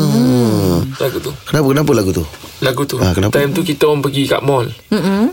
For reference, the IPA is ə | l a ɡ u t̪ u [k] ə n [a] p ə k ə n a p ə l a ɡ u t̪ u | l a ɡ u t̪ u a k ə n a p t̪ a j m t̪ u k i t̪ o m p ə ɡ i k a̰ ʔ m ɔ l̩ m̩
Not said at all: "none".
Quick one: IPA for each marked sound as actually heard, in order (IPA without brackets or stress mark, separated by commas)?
k, a